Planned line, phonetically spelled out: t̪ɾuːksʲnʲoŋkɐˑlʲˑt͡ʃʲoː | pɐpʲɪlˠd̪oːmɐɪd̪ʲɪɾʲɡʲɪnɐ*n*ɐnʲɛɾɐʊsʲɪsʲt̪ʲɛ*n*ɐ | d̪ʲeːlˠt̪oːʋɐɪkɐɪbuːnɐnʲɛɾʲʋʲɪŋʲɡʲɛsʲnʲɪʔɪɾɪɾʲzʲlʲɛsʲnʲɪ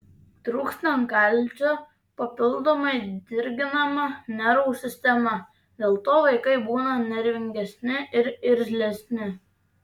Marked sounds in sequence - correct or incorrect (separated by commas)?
incorrect, incorrect